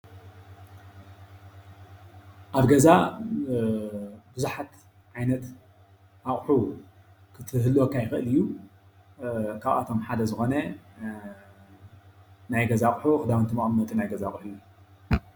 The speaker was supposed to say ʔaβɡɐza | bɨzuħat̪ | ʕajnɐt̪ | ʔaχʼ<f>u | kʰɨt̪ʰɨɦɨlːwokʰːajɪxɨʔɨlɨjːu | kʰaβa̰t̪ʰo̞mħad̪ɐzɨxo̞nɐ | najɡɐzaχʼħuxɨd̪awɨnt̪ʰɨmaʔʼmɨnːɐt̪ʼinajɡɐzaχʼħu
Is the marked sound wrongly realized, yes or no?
yes